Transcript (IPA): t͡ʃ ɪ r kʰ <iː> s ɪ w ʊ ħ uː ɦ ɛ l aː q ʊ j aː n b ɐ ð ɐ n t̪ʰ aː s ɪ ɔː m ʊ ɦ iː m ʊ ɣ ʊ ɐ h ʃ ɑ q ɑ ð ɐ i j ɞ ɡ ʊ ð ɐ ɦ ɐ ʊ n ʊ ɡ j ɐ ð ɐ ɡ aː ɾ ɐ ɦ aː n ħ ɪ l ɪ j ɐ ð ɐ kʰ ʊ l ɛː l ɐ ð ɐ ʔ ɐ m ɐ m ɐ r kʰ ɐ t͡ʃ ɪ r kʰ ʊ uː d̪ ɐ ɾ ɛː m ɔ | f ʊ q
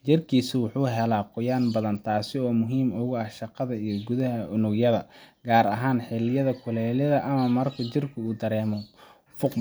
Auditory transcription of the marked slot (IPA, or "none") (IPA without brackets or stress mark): iː